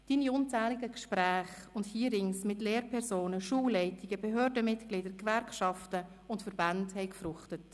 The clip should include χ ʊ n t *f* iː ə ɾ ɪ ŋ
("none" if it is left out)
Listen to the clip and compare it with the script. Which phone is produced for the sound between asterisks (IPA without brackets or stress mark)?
h